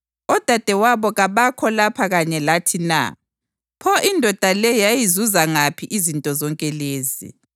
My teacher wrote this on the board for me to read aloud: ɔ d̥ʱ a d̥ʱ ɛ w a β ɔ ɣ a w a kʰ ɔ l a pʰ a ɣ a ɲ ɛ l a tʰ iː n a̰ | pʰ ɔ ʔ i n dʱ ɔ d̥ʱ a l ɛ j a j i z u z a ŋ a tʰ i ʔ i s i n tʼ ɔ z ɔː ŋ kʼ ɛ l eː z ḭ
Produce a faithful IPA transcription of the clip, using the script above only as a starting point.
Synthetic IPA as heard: ɔ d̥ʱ a d̥ʱ ɛ w a β ɔ ɣ a β a kʰ ɔ l a pʰ a ɣ a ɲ ɛ l a tʰ i n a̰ | pʰ ɔ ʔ i n dʱ ɔ d̥ʱ a l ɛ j a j i z u z a ŋ a pʰ i ʔ i z i n tʼ ɔ z ɔ ŋ kʼ ɛ l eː z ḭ